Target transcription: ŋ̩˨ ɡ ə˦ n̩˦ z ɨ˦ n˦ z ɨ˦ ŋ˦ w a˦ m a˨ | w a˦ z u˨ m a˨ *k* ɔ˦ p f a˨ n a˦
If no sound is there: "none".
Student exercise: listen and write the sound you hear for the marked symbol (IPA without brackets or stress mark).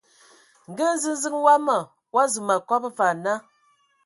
k